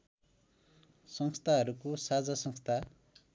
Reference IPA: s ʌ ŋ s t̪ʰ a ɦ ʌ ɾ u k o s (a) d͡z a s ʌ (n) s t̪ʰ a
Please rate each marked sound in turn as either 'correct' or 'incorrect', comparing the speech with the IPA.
correct, incorrect

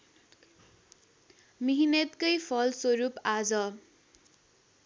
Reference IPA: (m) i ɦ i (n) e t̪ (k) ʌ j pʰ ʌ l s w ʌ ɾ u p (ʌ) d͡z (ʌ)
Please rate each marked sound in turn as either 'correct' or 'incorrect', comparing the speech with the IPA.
correct, correct, correct, incorrect, correct

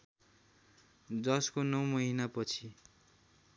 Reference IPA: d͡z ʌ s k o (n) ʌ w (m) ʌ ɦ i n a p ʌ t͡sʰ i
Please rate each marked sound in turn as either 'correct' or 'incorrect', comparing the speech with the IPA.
correct, correct

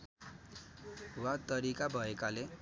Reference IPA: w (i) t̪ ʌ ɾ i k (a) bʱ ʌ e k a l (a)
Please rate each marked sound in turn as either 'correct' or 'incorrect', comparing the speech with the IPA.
incorrect, correct, incorrect

